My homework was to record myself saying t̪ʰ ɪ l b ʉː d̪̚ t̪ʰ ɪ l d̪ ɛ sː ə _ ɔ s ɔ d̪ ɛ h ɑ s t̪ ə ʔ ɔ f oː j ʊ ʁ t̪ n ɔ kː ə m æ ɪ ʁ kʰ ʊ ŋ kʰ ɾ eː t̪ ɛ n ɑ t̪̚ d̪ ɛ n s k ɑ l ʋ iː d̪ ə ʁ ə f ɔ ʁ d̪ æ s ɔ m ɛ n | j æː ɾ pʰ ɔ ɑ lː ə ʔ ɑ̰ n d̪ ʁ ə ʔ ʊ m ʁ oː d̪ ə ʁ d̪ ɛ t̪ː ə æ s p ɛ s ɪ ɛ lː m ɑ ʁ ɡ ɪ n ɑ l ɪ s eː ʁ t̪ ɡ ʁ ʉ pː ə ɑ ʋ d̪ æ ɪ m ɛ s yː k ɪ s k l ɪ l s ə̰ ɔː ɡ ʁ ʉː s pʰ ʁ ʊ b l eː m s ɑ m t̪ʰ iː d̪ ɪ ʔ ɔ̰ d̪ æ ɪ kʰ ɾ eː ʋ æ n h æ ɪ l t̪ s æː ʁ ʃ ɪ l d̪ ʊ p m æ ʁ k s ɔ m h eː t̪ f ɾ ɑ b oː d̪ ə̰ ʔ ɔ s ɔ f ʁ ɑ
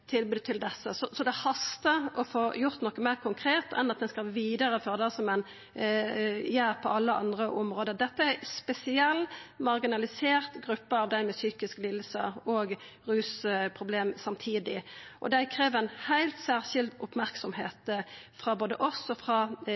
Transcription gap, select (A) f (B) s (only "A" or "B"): B